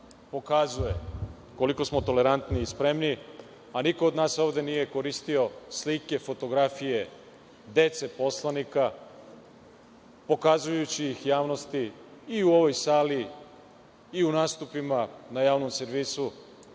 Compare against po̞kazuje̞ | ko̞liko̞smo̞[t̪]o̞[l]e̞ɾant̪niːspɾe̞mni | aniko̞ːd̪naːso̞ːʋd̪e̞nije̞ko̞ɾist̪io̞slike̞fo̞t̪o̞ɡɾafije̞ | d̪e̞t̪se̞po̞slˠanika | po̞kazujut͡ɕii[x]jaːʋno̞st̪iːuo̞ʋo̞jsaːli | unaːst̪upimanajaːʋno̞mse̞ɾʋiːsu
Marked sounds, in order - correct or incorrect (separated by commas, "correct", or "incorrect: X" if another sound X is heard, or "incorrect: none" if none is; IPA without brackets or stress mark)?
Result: correct, correct, correct